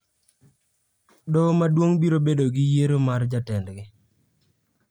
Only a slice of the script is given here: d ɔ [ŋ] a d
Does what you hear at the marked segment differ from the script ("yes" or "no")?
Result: yes